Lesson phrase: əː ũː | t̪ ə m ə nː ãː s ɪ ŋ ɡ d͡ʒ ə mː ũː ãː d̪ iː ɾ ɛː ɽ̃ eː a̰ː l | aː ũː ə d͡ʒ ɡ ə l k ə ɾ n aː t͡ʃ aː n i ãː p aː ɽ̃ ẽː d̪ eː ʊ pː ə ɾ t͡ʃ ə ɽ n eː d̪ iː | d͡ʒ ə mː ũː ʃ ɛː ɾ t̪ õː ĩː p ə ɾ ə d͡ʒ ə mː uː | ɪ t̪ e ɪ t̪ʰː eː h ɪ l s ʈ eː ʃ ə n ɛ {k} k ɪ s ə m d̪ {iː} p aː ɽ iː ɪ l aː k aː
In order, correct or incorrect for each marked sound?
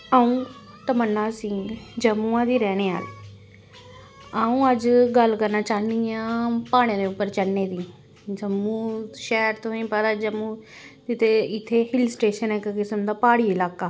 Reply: correct, incorrect: aː

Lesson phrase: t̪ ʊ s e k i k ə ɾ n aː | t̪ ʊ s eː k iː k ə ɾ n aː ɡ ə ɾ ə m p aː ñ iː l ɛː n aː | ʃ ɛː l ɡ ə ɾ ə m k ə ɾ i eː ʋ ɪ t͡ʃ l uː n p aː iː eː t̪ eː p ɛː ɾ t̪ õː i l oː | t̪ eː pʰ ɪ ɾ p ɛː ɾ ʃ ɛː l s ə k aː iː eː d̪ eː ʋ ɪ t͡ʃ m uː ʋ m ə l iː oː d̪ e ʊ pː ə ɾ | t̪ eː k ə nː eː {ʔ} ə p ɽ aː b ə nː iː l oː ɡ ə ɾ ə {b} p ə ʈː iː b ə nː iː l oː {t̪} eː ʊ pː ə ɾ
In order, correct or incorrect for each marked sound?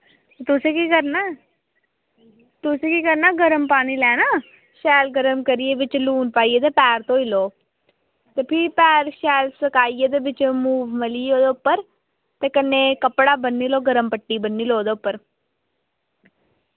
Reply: incorrect: k, incorrect: m, incorrect: d̪

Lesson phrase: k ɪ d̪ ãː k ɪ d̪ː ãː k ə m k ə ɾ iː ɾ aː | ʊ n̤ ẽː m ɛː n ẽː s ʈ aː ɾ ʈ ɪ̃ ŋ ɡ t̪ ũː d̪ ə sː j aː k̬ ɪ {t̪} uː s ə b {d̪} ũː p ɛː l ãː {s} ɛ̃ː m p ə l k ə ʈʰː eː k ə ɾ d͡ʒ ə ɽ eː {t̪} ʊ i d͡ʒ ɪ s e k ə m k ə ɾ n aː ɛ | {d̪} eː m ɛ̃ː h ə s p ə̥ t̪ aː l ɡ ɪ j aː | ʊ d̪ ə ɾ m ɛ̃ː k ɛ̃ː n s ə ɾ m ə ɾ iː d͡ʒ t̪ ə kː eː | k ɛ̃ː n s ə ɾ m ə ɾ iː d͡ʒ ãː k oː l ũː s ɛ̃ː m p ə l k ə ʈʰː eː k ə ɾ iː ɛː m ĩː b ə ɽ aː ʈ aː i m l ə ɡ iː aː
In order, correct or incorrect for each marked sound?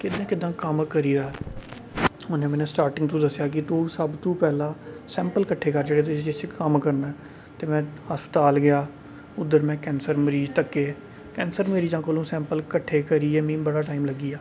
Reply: correct, incorrect: t̪, correct, correct, incorrect: t̪

